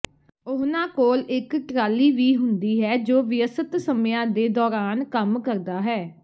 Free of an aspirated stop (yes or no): yes